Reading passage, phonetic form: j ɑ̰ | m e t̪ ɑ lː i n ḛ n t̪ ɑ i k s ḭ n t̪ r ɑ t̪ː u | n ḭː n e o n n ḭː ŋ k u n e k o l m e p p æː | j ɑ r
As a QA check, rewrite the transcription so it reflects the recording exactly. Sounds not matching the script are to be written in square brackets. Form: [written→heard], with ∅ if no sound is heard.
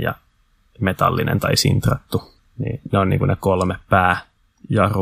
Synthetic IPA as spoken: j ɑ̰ | m e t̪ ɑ lː i n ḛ n t̪ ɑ i [k→∅] s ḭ n t̪ r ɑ t̪ː u | n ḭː n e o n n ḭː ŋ k u n e k o l m e p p æː | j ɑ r